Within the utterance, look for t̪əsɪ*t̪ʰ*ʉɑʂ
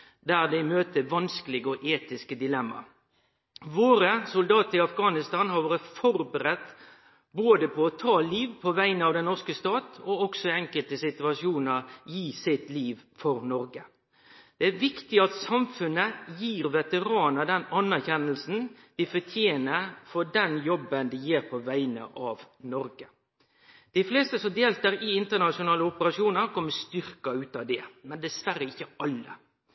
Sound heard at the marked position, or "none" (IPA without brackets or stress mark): t̪